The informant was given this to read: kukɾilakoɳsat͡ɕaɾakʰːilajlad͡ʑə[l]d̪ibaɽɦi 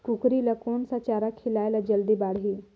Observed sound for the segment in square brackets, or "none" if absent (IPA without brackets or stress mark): l